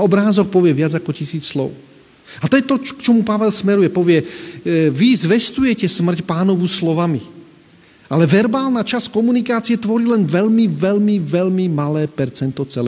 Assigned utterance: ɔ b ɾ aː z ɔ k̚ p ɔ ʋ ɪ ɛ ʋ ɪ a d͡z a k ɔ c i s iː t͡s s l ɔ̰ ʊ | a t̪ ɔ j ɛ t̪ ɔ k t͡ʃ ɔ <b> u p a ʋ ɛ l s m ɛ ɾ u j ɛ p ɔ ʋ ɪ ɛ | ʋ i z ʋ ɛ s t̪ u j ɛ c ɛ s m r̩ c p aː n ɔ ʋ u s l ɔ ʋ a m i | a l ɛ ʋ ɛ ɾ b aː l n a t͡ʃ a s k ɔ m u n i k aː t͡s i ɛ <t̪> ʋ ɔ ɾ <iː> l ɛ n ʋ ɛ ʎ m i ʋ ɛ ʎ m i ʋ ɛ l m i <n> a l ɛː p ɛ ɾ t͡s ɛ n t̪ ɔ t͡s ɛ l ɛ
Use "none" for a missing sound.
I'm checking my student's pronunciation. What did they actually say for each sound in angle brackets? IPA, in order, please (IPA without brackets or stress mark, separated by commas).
m, t̪, iː, m